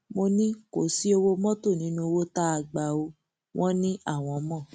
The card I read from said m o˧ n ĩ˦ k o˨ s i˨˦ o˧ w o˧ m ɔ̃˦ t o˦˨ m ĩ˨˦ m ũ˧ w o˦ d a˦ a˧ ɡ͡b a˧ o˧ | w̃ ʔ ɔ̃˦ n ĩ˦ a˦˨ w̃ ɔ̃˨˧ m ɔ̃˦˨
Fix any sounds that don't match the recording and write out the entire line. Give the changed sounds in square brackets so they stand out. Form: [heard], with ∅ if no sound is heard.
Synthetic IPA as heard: m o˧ n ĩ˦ k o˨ s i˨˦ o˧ w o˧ m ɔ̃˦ t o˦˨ [n] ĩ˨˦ [n] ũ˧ w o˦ [t] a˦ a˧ ɡ͡b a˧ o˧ | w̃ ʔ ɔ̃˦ n ĩ˦ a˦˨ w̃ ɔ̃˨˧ m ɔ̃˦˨